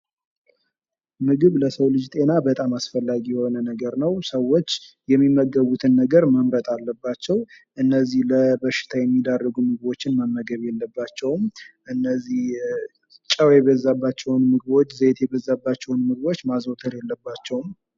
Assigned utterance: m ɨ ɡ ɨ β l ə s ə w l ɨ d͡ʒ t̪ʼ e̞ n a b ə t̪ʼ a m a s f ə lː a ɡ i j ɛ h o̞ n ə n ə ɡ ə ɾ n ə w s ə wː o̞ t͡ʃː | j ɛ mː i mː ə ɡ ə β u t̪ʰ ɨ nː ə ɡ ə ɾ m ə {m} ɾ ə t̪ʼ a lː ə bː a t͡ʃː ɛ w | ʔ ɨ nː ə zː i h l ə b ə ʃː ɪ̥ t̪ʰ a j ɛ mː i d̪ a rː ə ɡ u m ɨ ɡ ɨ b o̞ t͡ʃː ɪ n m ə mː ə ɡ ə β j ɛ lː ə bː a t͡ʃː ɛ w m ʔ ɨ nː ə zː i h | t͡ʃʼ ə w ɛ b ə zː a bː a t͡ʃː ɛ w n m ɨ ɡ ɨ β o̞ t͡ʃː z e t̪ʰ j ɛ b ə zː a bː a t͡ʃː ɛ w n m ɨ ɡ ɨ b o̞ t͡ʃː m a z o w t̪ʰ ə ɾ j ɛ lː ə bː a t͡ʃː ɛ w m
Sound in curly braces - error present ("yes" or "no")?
no